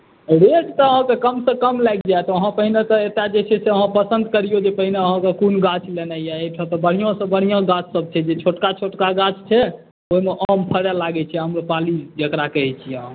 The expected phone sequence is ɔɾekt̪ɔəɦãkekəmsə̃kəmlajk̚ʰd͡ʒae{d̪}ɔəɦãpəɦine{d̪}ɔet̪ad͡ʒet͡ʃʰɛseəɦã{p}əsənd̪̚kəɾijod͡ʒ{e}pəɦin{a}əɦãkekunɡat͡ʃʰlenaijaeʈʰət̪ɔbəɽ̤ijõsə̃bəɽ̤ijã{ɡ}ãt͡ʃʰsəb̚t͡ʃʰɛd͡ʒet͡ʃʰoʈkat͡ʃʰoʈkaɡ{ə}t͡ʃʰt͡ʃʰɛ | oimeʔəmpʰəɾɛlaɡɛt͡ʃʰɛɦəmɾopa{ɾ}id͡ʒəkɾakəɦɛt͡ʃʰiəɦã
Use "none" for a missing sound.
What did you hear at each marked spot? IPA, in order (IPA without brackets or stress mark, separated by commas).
t̪, t̪, p, e, e, ɡ, a, l